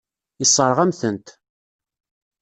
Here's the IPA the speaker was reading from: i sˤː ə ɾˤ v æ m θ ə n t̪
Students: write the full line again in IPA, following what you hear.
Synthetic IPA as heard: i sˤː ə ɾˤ ʁ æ m θ ə n t̪